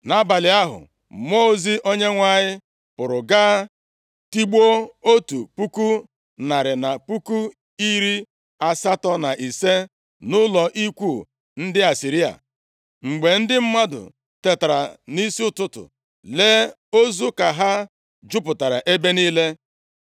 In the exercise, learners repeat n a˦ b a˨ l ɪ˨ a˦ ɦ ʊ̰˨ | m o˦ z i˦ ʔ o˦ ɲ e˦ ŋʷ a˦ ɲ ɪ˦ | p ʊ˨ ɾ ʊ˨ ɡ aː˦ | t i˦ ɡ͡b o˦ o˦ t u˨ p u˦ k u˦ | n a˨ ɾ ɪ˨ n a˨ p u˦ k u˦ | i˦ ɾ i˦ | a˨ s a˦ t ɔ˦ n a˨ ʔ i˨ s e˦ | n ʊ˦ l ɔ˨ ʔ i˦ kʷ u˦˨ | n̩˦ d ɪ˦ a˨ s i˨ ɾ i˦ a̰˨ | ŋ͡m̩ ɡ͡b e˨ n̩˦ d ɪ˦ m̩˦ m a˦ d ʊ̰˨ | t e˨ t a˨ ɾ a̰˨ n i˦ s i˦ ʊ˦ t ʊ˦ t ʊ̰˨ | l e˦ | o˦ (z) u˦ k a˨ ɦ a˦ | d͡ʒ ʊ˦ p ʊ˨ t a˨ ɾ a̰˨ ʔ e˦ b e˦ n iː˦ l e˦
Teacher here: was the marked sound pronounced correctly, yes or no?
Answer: yes